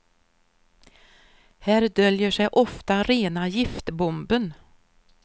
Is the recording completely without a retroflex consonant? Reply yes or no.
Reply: no